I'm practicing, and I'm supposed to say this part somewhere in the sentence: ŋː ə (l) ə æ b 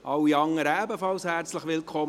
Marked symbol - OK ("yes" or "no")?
no